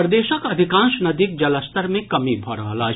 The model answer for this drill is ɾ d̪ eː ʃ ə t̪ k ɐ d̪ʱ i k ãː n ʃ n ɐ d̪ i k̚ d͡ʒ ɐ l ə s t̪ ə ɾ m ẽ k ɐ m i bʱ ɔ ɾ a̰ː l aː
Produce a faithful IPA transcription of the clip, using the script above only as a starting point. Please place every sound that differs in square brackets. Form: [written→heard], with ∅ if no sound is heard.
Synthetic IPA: ɾ d̪ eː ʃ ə [t̪→∅] k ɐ d̪ʱ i k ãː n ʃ n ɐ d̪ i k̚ d͡ʒ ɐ l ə s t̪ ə ɾ m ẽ k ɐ m i bʱ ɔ ɾ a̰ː l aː